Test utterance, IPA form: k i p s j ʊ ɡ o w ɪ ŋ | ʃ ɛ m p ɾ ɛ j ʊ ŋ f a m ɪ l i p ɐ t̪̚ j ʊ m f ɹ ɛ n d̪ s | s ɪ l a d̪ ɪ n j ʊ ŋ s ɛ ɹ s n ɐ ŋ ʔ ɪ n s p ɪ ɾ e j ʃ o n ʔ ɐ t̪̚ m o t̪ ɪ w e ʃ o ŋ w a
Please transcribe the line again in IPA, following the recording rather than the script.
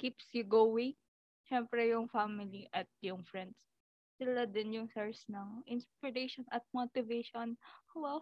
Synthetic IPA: k i p s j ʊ ɡ o w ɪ ŋ | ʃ ɛ m p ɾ ɛ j ʊ ŋ f a m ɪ l i ʔ ɐ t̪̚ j ʊ ŋ f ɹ ɛ n d̪ s | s ɪ l a d̪ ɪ n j ʊ ŋ s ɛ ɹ s n ɐ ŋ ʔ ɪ n s p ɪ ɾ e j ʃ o n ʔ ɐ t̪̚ m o t̪ ɪ v e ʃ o n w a